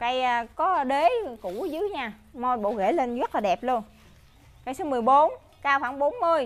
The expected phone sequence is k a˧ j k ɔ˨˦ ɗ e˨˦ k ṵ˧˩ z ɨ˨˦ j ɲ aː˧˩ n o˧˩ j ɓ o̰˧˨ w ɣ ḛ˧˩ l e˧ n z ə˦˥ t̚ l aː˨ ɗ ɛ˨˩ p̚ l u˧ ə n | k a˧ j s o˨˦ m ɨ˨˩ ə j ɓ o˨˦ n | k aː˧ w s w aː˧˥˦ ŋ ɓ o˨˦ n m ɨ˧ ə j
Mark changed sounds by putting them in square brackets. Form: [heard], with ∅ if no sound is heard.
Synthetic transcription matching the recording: k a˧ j k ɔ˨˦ ɗ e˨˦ k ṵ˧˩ z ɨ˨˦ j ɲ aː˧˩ [m] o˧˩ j ɓ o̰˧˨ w ɣ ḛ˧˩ l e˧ n z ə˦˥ t̚ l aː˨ ɗ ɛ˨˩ p̚ l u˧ ə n | k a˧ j s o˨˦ m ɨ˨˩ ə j ɓ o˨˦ n | k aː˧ w [x] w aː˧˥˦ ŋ ɓ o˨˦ n m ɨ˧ ə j

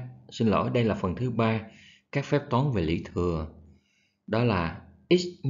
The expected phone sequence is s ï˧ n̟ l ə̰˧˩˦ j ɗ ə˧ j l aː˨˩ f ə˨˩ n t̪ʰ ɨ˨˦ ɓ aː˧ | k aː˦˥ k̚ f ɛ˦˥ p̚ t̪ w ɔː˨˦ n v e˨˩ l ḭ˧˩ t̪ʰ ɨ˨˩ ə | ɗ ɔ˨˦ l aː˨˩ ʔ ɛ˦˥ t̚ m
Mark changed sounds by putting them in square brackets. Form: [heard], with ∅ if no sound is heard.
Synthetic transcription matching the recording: s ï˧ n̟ l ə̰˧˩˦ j ɗ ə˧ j l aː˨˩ f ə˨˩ n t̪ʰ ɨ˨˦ ɓ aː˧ | k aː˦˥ k̚ f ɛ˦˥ p̚ t̪ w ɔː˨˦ n v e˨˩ l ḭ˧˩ t̪ʰ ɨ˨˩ ə | ɗ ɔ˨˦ l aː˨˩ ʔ [i˦˥] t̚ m

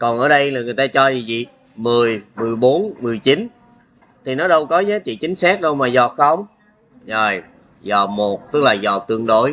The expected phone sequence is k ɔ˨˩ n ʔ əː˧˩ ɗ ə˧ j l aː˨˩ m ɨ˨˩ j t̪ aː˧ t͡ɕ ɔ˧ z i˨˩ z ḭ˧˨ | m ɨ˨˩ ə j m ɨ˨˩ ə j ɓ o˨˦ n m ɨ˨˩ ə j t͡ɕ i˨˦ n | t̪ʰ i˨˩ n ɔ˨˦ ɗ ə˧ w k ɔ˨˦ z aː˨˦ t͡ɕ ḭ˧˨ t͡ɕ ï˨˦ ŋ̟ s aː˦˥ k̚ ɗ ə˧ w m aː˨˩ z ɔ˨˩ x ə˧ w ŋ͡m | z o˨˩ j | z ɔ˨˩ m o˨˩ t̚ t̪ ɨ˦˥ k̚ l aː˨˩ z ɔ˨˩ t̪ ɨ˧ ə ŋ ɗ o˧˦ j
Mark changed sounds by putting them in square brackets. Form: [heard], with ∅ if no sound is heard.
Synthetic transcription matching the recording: k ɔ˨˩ n ʔ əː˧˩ ɗ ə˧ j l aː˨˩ [ŋ] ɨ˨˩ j t̪ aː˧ t͡ɕ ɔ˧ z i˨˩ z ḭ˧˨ | m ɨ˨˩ ə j m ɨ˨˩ ə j ɓ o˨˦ n m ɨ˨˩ ə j t͡ɕ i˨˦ n | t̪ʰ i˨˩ n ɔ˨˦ ɗ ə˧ w k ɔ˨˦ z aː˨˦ t͡ɕ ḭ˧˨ t͡ɕ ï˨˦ ŋ̟ s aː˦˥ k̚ ɗ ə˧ w m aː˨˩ z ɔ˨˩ x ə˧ w ŋ͡m | z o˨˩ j | z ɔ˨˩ m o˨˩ t̚ t̪ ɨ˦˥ k̚ l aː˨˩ z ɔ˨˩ t̪ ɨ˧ ə ŋ ɗ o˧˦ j

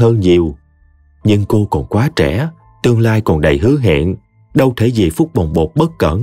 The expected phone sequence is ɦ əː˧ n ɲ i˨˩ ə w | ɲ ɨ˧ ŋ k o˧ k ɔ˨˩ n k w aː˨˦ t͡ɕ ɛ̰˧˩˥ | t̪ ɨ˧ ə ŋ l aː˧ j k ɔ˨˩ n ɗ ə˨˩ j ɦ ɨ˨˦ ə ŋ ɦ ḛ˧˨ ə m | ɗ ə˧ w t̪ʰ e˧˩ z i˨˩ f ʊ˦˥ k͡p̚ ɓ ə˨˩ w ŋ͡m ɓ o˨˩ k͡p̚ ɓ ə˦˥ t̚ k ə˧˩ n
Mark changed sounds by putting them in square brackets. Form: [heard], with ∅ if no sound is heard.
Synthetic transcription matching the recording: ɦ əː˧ n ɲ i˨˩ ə w | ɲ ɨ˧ ŋ k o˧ k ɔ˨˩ n k w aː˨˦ t͡ɕ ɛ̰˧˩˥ | t̪ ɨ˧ ə ŋ l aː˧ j k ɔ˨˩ n ɗ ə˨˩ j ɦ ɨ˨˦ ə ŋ ɦ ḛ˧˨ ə [n] | ɗ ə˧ w t̪ʰ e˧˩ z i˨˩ f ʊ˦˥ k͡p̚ ɓ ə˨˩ w ŋ͡m ɓ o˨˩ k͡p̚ ɓ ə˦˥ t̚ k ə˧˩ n

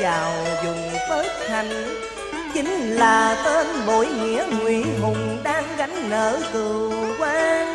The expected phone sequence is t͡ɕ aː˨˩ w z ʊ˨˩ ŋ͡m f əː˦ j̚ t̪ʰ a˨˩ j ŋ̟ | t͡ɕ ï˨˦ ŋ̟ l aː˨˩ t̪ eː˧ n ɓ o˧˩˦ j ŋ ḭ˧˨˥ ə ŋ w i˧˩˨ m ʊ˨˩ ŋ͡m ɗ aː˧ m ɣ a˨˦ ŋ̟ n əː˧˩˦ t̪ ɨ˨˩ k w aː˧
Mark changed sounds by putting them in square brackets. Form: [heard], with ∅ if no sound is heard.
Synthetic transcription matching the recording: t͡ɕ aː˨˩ w z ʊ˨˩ ŋ͡m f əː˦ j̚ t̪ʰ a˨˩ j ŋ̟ | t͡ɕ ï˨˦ ŋ̟ l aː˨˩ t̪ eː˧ n ɓ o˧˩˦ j ŋ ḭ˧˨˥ ə ŋ w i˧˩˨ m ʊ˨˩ ŋ͡m ɗ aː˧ [ŋ] ɣ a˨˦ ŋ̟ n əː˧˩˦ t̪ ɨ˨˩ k w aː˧

